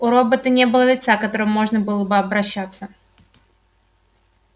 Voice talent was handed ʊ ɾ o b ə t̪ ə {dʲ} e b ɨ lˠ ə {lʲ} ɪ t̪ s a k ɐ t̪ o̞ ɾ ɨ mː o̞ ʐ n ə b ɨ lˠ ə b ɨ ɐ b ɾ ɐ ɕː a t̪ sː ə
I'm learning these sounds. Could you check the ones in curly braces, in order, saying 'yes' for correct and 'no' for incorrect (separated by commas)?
no, yes